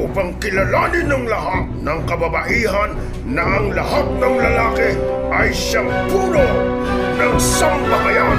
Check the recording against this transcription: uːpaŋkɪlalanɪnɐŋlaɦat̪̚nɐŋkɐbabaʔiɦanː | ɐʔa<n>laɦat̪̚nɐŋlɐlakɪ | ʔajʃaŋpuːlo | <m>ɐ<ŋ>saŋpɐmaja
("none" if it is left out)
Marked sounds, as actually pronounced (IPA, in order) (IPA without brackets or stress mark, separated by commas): ŋ, n, ŋ